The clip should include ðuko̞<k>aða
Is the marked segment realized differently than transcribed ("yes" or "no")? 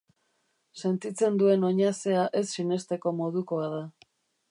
yes